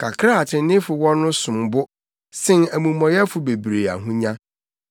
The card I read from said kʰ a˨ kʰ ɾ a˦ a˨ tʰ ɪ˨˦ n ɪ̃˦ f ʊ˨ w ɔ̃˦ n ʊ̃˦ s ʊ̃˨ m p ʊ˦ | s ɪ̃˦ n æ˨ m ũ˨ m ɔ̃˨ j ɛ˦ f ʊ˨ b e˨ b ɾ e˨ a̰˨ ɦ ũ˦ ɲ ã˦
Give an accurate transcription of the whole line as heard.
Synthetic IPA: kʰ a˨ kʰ ɾ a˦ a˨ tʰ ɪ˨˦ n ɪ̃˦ f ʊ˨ w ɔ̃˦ n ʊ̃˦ s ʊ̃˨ m b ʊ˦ | s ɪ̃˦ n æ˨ m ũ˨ m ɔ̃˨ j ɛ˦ f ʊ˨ b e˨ b ɾ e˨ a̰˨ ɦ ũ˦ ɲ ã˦